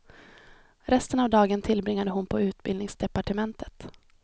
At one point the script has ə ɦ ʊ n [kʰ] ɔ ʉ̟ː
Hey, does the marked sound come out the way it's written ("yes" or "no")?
no